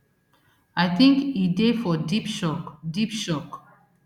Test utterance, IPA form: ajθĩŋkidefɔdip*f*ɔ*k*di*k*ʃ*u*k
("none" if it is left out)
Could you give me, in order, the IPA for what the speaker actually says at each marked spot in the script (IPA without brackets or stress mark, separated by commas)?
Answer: ʃ, k, p, ɔ